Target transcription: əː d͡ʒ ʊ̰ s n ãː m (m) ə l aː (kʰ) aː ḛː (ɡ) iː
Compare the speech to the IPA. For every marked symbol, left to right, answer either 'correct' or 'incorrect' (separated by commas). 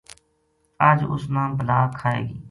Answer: incorrect, correct, correct